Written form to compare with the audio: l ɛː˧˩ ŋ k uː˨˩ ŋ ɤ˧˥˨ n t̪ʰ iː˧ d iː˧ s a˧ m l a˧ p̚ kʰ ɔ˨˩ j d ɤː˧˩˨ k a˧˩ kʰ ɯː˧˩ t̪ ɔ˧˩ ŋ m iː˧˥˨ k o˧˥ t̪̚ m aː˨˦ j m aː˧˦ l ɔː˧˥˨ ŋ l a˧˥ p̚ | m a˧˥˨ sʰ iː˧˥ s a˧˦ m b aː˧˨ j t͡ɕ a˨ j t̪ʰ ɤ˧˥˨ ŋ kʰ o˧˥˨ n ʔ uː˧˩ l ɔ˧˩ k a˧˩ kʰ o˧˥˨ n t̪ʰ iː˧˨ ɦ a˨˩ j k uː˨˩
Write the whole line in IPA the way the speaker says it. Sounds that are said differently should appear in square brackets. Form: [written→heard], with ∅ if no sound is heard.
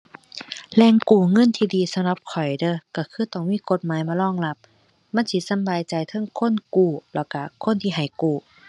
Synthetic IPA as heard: l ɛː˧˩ ŋ k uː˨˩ ŋ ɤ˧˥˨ n t̪ʰ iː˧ d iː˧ s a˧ m l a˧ p̚ kʰ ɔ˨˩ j d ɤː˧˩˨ k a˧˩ kʰ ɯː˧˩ t̪ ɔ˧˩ ŋ m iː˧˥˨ k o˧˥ t̪̚ m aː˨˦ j m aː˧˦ l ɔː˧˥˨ ŋ l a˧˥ p̚ | m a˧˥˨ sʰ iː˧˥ s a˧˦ m b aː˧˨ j t͡ɕ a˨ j t̪ʰ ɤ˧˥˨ ŋ kʰ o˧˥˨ n [ʔ→k] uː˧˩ l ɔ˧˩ k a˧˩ kʰ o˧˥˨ n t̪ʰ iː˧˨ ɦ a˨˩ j k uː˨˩